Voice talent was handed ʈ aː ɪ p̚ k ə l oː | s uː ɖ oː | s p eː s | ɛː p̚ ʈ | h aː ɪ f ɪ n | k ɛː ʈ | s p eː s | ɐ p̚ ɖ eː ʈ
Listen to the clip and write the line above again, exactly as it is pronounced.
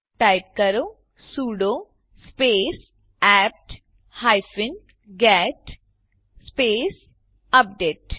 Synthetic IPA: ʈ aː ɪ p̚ k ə ɾ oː | s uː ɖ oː | s p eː s | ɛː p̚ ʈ | h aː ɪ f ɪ n | ɡ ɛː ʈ | s p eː s | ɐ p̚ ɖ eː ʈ